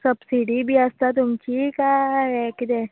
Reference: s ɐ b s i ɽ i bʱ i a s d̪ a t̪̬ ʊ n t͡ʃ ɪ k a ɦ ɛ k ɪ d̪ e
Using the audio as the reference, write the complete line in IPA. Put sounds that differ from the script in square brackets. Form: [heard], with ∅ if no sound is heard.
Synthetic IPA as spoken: s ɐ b s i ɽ i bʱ i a s [t̪] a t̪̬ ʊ [m] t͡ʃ [i] k a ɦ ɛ k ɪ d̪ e